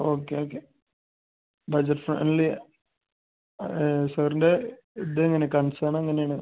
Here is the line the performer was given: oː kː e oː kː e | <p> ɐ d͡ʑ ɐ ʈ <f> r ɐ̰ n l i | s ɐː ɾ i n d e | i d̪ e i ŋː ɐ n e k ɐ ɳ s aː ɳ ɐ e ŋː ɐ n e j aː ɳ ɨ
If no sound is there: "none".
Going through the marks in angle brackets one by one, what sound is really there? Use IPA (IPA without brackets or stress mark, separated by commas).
b, f